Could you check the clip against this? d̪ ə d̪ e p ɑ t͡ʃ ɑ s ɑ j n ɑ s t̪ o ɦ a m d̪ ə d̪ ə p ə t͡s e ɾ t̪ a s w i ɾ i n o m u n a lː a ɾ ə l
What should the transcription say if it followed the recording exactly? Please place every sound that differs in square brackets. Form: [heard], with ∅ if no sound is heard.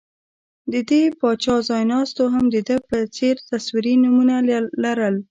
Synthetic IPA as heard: d̪ ə d̪ e p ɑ t͡ʃ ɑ [z] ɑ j n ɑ s t̪ o ɦ a m d̪ ə d̪ ə p ə t͡s e ɾ t̪ a s w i ɾ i n [u] m u n a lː a ɾ ə l